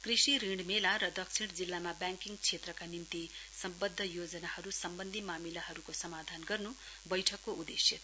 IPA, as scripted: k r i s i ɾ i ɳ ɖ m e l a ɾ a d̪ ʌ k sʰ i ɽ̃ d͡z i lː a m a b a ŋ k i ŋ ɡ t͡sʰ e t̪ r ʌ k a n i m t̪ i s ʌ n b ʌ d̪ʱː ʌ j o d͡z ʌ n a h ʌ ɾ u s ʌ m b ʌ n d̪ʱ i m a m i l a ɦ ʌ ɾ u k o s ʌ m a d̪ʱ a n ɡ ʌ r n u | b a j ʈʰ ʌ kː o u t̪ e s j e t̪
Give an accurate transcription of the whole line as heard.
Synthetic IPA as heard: k r i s i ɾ i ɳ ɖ m e l a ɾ ʌ d̪ ʌ k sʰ i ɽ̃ d͡z i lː a m a b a ŋ k i ŋ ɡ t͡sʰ e t̪ r ʌ k a n i m t̪ i s ʌ m b ʌ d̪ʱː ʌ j o d͡z ʌ n a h ʌ ɾ u s ʌ m b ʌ n d̪ʱ i m a m i l a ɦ ʌ ɾ u k o s ʌ m a d̪ʱ a n ɡ ʌ r n u | b ʌ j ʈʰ ʌ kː o u d̪ e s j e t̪

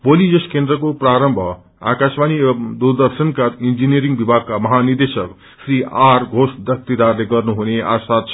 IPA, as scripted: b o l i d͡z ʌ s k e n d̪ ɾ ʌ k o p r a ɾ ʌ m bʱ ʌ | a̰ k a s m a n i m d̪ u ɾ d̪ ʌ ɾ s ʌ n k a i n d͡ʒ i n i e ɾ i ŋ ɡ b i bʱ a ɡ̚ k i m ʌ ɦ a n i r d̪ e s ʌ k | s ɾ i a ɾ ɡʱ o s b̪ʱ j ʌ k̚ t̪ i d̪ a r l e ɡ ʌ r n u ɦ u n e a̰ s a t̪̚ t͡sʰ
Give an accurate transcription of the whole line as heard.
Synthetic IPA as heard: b o l i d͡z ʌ s k e n d̪ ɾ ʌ k o p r a ɾ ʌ m bʱ ʌ | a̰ k a s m a n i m d̪ u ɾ d̪ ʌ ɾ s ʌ n k a i n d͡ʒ i n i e ɾ i ŋ ɡ b i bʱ a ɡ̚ k a m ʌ ɦ a n i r d̪ e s ʌ k | s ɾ i a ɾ ɡʱ o s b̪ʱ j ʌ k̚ t̪ i d̪ a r l e ɡ ʌ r n u ɦ u n e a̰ s a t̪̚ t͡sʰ

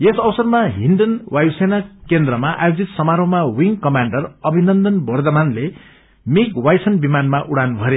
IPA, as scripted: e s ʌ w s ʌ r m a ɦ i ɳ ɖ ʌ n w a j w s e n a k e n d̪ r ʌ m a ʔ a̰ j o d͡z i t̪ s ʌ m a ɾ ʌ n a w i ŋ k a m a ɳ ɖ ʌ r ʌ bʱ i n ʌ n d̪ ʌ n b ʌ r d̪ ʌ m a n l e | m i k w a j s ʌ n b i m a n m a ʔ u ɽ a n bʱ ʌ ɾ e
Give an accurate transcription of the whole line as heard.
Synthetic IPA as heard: e s ʌ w s ʌ r m a ɦ i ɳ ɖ ʌ n w a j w s e n a k e n d̪ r ʌ m a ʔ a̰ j o d͡z i t̪ s ʌ m a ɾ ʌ m a w i ŋ k ʌ m a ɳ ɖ ʌ r ʌ bʱ i n ʌ n d̪ ʌ n b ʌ r d̪ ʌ m a n l e | m i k w a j s ʌ n b i m a n m a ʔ u ɽ a n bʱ ʌ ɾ e

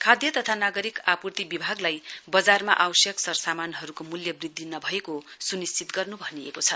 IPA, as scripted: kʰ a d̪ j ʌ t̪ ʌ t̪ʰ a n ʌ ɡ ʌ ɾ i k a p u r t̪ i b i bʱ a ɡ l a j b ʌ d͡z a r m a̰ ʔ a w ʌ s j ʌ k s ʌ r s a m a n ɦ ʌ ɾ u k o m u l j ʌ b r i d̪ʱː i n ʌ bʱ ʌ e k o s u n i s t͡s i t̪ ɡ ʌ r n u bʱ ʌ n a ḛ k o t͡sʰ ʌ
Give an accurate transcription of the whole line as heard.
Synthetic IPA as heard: kʰ a d̪ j ʌ t̪ ʌ t̪ʰ a n a ɡ ʌ ɾ i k a p u r t̪ i b i bʱ a ɡ l a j b ʌ d͡z a r m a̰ ʔ a w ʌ s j ʌ k s ʌ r s a m a n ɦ ʌ ɾ u k o m u l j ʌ b r i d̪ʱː i n ʌ bʱ ʌ e k o s u n i s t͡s i t̪ ɡ ʌ r n u bʱ ʌ n i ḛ k o t͡sʰ ʌ

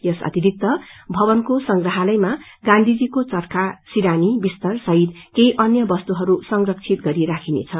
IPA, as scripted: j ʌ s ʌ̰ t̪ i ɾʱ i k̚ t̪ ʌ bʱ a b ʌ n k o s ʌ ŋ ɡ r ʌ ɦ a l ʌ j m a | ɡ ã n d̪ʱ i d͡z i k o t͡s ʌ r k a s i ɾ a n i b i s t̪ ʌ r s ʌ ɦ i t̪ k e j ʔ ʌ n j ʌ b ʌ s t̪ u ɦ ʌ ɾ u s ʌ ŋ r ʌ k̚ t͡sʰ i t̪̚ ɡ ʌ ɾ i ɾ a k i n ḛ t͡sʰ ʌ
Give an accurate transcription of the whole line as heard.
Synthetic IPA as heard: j ʌ s ʌ̰ t̪ i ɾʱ i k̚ t̪ ʌ bʱ ʌ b ʌ n k o s ʌ ŋ ɡ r ʌ ɦ a l ʌ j m a | ɡ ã n d̪ʱ i d͡z i k o t͡s ʌ r k a s i ɾ a n i b i s t̪ ʌ r s ʌ ɦ i t̪ k e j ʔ ʌ n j ʌ b ʌ s t̪ u ɦ ʌ ɾ u s ʌ ŋ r ʌ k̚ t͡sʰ i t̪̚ ɡ ʌ ɾ i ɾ a kʰ i n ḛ t͡sʰ ʌ

